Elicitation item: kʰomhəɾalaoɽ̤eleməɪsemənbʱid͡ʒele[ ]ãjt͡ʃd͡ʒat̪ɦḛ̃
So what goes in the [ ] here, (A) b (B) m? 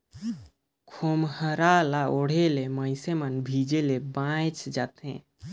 A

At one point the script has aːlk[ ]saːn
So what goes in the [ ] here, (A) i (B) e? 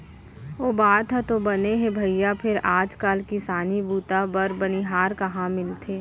A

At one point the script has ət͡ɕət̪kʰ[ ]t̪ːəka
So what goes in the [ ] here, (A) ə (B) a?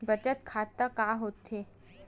B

